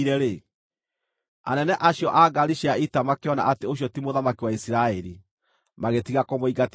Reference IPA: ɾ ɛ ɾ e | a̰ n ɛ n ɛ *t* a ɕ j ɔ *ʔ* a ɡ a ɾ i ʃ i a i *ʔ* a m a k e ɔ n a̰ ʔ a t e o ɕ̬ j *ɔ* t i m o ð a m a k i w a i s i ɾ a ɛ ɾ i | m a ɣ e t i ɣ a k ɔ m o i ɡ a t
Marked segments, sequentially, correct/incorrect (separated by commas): incorrect, correct, incorrect, correct